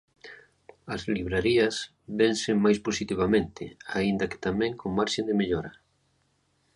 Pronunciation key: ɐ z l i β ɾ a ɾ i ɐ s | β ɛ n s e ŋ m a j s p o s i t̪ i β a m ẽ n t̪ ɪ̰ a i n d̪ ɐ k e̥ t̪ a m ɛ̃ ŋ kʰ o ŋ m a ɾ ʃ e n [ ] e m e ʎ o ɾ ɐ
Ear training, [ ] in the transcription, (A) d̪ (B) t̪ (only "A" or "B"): A